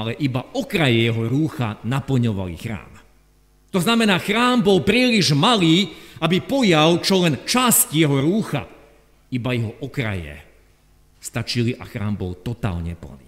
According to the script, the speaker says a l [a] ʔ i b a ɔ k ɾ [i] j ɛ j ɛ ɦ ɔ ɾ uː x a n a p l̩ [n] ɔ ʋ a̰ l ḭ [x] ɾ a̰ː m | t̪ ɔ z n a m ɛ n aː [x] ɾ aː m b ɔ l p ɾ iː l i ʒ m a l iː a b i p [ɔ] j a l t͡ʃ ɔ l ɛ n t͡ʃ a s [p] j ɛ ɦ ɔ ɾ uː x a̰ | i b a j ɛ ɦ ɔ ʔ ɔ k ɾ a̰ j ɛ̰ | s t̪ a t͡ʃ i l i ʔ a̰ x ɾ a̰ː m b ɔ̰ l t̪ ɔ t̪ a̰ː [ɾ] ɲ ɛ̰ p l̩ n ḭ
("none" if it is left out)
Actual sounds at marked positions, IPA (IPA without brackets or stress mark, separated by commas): ɛ, a, ɲ, x, x, ɔ, c, l